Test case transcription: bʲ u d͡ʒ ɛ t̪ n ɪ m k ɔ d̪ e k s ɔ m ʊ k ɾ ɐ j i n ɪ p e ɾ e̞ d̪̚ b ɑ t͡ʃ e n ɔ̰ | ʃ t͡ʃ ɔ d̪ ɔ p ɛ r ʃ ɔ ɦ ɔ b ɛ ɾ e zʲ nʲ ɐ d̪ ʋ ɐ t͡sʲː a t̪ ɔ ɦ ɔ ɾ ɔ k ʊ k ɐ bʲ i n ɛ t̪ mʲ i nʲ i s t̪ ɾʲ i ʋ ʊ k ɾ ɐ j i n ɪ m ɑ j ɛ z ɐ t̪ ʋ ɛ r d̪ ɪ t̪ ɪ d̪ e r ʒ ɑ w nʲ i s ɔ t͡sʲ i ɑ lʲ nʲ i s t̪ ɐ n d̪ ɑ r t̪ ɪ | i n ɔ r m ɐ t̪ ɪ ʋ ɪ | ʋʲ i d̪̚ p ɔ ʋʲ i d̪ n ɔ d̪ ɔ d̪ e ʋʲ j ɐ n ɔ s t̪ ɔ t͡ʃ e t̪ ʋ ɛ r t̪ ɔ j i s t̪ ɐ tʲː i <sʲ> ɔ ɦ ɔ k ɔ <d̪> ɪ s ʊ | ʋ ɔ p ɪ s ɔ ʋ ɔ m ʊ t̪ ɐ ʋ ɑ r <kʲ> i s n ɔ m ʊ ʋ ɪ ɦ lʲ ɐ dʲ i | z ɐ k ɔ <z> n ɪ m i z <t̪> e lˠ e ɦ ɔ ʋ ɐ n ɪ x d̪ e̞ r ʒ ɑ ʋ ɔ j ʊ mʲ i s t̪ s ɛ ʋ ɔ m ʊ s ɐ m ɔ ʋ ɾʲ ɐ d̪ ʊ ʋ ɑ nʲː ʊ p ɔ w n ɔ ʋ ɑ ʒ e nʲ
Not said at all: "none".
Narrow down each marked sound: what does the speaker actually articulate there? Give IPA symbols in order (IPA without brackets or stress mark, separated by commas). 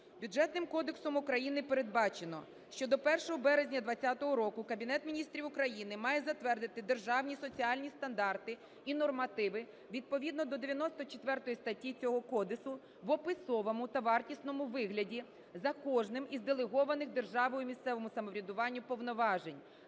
t͡sʲ, d̪, tʲ, ʒ, d̪